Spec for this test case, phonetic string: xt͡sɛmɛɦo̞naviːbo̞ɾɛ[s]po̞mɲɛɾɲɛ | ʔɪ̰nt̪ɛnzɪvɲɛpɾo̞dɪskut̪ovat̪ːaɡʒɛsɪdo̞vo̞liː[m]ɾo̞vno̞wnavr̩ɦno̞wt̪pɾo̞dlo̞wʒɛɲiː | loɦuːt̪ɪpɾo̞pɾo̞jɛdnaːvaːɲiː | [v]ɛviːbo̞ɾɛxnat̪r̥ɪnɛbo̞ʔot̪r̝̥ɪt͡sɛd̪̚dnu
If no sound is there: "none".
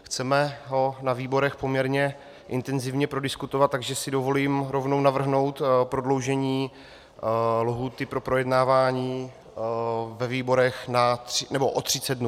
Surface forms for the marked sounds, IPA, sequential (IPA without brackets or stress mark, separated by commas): x, m, v